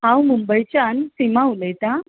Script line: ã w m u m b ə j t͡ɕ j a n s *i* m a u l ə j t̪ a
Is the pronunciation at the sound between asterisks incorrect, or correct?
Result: correct